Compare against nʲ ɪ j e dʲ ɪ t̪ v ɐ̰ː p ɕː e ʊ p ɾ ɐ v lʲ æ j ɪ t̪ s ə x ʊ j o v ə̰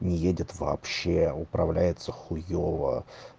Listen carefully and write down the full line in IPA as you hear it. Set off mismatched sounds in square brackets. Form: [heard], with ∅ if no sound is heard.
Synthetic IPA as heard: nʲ ɪ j e dʲ ɪ t̪ v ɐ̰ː p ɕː e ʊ p ɾ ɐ v lʲ æ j ɪ t̪ s ə x ʊ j o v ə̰